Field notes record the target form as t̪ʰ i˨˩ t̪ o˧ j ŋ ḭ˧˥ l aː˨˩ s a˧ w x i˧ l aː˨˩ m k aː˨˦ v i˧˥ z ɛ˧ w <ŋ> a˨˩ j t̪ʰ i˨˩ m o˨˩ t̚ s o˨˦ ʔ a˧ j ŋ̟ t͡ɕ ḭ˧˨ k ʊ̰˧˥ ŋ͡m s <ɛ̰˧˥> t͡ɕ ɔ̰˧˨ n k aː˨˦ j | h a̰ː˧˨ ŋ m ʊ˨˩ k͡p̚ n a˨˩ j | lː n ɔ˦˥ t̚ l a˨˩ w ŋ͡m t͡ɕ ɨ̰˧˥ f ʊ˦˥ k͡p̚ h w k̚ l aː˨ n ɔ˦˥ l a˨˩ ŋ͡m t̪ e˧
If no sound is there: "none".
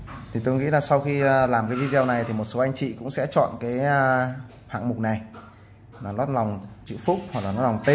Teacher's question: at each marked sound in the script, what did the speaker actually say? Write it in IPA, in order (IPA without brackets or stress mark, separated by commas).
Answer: n, ɛ̰˧˥